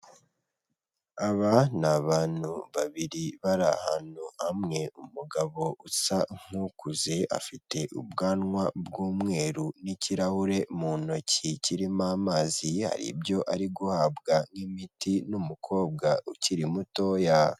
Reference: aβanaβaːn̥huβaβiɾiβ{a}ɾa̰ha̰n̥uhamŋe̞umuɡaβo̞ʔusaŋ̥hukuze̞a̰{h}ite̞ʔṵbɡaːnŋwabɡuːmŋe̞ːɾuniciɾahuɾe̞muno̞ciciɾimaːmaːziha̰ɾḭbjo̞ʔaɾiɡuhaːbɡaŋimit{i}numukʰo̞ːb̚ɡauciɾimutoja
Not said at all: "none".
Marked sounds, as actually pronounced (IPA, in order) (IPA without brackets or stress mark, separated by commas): a, f, i